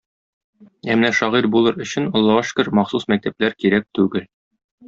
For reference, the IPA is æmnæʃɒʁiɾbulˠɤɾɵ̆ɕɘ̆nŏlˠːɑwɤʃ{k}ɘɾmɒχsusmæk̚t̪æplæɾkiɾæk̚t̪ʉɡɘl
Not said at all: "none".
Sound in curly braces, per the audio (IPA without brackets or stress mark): k